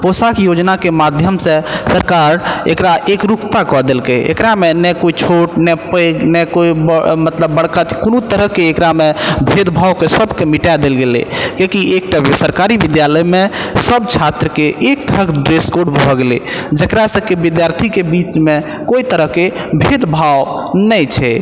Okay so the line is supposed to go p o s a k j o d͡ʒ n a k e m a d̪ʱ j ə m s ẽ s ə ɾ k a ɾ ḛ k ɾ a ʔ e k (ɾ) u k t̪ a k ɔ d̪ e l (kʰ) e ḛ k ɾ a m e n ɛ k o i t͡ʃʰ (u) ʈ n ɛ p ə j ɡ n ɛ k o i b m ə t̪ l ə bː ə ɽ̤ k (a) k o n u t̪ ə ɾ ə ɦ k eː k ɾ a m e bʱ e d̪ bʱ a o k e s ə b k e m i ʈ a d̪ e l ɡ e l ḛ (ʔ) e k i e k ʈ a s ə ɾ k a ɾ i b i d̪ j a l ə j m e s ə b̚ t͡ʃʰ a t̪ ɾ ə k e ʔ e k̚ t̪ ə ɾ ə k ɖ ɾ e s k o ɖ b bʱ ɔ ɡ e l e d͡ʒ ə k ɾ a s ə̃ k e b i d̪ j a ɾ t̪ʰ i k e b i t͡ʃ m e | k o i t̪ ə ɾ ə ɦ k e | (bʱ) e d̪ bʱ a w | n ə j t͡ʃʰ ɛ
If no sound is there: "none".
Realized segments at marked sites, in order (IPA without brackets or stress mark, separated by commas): ɾ, k, o, a, k, bʱ